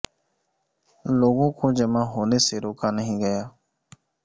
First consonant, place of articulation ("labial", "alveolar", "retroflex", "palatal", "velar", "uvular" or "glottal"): alveolar